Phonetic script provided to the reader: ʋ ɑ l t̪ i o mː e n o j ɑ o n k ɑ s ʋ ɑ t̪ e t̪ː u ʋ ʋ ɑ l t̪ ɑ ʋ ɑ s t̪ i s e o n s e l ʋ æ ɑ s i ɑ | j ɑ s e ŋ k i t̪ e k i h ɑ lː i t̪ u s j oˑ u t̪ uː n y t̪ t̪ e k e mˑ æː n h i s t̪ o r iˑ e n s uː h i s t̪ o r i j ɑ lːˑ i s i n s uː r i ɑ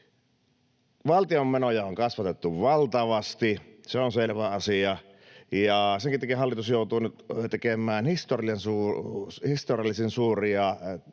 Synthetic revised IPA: ʋ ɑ l t̪ i o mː e n o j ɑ o ŋ k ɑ s ʋ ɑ t̪ e t̪ː u ʋ ʋ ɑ l t̪ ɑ ʋ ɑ s t̪ i s e o n s e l ʋ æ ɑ s i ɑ | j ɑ s e ŋ k i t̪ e k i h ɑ lː i t̪ u s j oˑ u t̪ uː n y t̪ t̪ e k e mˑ æː n h i s t̪ o r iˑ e n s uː h i s t̪ o r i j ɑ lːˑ i s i n s uː r i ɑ